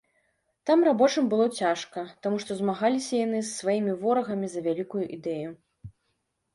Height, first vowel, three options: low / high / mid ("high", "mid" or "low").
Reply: low